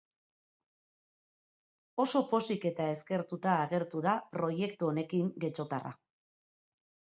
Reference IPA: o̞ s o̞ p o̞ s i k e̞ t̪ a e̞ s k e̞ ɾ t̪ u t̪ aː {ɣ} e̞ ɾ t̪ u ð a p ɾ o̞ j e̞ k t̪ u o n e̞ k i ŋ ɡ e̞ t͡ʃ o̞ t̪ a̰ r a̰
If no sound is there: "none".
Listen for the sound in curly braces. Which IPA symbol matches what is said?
ɣ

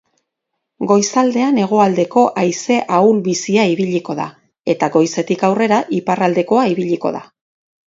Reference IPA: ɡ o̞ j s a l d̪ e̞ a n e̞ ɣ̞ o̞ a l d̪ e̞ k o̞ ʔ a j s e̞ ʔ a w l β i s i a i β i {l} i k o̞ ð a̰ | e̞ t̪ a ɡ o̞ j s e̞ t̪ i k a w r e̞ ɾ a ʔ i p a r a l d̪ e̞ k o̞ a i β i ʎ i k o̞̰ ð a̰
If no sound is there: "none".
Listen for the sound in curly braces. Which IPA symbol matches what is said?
ʎ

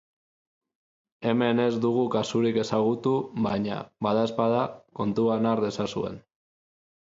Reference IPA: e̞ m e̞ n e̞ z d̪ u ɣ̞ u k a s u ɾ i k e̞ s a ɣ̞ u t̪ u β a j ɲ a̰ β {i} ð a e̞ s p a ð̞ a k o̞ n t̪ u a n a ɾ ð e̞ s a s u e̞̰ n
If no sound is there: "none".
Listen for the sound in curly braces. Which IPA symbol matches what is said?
a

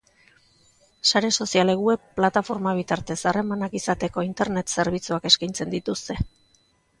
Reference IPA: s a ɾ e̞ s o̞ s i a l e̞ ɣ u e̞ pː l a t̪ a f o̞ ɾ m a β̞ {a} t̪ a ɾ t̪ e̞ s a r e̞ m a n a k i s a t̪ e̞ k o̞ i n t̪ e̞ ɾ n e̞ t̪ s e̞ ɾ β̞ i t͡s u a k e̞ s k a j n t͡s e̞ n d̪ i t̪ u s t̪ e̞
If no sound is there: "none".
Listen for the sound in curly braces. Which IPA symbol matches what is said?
i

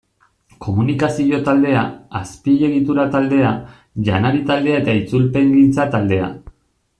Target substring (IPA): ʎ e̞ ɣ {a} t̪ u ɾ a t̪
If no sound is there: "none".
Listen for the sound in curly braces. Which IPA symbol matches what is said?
i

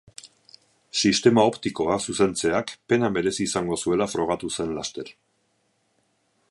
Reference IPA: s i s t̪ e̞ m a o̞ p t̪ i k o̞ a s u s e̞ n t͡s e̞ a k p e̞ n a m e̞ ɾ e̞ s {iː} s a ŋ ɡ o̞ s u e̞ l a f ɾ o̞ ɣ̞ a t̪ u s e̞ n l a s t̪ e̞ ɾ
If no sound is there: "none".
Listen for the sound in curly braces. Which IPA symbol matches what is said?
iː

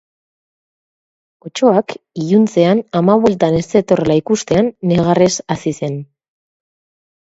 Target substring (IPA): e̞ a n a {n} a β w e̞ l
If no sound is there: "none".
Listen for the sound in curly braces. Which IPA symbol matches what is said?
m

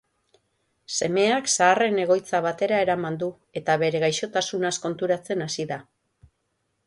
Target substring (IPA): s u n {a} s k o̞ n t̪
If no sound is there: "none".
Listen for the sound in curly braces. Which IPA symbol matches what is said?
a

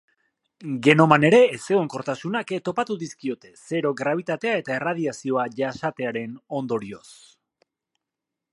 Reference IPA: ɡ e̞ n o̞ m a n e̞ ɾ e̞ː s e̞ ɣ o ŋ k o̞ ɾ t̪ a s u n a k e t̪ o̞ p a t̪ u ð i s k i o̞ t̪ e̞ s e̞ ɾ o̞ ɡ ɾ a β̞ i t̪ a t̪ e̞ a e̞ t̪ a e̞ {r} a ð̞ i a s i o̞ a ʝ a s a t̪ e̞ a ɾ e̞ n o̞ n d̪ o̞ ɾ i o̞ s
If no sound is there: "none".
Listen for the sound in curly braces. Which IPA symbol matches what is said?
r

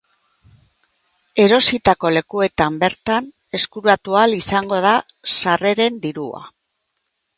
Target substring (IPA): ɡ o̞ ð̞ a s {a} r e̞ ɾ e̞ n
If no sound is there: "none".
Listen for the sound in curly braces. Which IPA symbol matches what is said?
a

